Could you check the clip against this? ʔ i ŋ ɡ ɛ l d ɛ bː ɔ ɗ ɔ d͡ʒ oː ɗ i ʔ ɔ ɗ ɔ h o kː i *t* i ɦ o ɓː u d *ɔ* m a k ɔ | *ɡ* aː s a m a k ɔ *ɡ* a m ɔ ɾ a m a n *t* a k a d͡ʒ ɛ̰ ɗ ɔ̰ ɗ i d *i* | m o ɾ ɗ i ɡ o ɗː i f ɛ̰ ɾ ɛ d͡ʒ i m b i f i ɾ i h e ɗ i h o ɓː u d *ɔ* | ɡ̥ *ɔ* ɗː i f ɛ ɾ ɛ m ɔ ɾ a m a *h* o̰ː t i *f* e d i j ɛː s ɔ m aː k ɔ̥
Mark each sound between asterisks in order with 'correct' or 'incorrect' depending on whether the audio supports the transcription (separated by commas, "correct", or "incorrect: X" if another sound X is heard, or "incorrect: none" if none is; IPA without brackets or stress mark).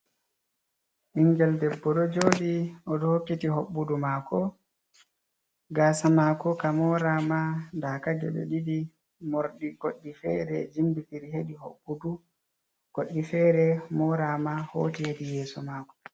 correct, incorrect: u, correct, incorrect: k, incorrect: d, correct, incorrect: u, incorrect: o, correct, incorrect: h